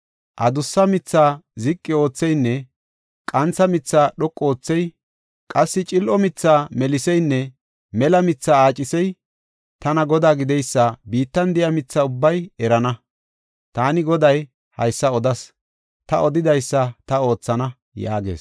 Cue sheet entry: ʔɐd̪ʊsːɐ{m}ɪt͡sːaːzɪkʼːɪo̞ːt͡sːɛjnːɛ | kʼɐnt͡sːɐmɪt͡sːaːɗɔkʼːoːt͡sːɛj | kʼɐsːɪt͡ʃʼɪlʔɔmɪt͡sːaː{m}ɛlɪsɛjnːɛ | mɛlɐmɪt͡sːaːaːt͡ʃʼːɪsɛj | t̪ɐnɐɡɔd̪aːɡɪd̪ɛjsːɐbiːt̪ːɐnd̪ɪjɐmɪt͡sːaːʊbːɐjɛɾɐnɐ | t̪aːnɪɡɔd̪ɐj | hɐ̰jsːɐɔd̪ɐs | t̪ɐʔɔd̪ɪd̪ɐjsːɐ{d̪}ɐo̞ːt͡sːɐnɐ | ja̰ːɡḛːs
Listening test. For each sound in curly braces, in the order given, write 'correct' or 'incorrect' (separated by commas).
correct, correct, incorrect